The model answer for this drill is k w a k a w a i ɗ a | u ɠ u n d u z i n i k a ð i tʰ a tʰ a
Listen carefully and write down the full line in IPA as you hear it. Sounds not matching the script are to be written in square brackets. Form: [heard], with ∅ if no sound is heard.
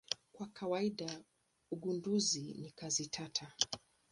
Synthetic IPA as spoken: k w a k a w a i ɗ a | u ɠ u n d u z i n i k a [z] i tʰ a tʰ a